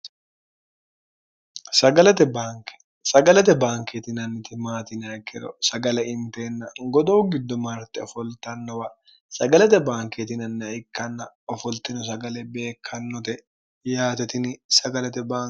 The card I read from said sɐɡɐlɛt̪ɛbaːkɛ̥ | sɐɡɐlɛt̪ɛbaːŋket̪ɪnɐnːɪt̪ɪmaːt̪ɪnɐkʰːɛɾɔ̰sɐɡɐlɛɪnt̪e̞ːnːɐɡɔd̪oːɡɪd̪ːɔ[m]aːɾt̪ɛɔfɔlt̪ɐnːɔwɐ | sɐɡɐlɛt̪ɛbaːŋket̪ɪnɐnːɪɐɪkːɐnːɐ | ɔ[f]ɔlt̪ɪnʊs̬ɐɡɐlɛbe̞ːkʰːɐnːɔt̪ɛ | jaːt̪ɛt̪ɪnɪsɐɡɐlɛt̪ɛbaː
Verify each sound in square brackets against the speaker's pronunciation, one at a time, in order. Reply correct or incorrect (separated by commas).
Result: correct, correct